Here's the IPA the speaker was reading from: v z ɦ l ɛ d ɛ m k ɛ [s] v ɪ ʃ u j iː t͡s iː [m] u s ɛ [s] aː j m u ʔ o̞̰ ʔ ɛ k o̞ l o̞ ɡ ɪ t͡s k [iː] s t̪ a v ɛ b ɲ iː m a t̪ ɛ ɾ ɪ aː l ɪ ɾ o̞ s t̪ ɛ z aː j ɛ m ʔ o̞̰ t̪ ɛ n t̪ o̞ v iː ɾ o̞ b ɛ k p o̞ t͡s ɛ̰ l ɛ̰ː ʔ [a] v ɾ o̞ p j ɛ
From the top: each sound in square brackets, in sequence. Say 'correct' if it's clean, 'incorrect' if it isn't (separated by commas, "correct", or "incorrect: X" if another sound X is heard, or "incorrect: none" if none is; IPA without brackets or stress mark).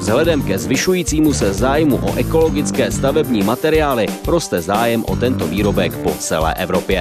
incorrect: z, correct, incorrect: z, incorrect: ɛː, incorrect: ɛ